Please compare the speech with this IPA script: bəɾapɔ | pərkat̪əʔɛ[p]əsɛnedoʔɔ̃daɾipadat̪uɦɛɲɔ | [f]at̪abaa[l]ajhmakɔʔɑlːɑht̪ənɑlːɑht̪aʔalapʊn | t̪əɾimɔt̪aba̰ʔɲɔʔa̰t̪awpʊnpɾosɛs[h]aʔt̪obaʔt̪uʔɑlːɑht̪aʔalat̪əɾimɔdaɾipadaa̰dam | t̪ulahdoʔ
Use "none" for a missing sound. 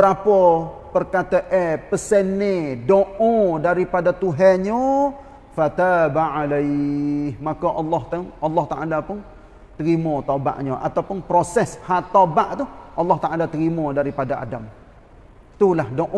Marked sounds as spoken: p, f, l, h

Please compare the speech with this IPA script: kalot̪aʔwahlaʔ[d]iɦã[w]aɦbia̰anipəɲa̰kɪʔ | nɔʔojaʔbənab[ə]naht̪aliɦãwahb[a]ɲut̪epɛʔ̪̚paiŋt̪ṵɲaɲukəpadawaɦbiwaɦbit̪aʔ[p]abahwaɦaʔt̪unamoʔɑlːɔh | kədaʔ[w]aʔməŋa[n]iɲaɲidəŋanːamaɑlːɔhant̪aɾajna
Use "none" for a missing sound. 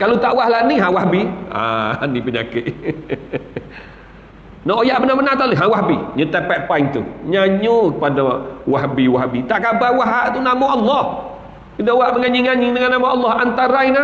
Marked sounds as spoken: n, w, ə, i, k, w, ɲ

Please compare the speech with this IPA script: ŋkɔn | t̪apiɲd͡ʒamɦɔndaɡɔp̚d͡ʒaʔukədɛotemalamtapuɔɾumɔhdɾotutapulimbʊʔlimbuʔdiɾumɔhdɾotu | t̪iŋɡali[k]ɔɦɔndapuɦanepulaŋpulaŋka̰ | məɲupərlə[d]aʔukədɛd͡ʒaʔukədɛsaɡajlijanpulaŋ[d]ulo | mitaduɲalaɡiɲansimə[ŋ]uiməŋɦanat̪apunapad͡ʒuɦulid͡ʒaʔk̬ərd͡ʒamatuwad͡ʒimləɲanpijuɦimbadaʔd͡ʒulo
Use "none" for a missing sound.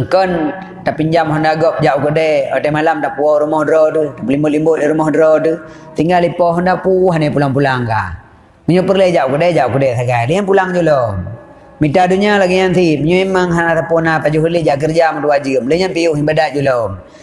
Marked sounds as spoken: p, d͡ʒ, d͡ʒ, ɲ

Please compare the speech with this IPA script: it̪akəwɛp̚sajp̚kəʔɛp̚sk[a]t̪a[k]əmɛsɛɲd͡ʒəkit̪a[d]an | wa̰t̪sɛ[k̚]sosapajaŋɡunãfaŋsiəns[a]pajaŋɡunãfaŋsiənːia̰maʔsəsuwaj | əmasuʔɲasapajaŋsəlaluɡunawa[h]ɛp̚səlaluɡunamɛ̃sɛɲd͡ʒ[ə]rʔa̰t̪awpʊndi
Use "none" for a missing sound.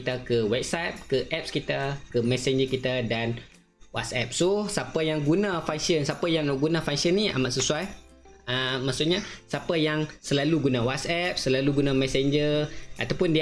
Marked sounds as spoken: i, k, d, p̚, a, s, ə

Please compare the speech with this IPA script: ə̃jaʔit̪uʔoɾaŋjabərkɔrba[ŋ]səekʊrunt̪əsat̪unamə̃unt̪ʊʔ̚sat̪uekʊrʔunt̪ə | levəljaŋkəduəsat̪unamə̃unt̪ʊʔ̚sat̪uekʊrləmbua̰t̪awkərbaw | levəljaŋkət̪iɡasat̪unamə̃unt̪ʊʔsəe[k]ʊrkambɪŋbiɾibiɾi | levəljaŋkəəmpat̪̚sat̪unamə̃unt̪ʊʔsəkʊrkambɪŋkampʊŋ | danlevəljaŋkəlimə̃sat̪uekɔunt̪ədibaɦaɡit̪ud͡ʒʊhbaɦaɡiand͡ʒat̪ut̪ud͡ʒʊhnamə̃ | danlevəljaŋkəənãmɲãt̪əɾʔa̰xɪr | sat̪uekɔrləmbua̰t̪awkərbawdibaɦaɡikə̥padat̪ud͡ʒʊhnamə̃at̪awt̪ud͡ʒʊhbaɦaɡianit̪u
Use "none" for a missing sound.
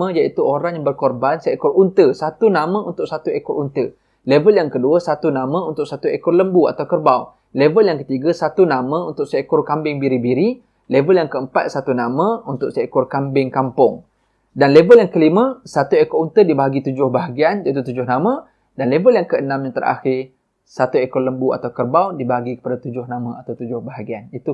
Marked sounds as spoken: n, k

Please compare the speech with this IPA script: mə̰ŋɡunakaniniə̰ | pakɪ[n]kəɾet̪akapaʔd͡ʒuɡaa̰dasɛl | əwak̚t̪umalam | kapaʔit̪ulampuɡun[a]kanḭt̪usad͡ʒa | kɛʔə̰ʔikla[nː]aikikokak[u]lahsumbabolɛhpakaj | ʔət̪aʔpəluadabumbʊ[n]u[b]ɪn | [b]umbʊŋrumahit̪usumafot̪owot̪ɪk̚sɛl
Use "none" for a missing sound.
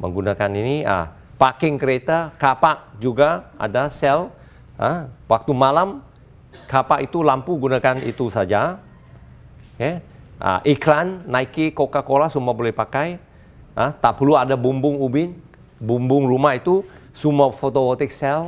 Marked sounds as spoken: ŋ, a, nː, o, ŋ, b, b

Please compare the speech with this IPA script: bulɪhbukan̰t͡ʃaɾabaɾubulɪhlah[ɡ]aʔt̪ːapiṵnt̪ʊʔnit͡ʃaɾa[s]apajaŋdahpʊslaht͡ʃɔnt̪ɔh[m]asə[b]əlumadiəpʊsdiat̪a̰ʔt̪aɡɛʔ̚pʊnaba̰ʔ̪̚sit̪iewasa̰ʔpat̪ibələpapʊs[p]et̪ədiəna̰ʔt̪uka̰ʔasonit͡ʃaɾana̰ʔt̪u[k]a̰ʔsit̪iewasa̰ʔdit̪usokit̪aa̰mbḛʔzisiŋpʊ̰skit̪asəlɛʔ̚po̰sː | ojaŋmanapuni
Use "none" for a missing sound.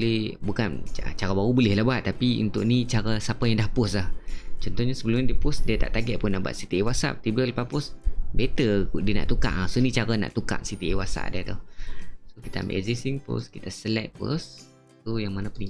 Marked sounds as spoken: b, s, ɲ, b, b, k

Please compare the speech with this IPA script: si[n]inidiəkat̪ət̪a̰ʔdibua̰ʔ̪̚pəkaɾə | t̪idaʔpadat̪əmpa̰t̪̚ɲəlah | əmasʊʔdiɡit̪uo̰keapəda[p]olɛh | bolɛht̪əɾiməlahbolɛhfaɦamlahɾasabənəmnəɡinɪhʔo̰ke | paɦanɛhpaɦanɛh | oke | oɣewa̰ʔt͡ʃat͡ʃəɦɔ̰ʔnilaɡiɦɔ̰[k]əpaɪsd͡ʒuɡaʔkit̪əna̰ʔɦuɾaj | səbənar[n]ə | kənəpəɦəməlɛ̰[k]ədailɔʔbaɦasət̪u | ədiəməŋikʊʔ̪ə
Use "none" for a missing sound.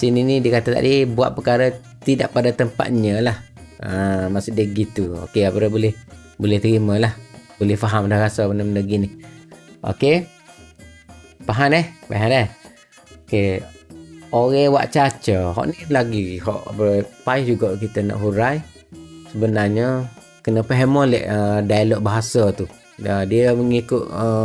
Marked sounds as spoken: n, b, ʔ, ɲ, ʔ

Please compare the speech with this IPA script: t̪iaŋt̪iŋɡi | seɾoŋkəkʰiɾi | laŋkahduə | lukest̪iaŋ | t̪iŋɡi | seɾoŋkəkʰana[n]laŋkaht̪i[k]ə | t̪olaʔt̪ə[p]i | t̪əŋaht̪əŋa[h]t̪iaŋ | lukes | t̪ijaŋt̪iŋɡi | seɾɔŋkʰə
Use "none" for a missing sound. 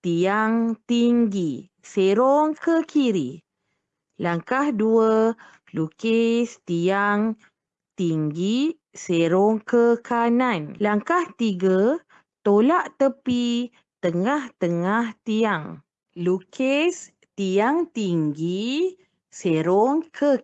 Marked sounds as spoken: n, ɡ, p, h

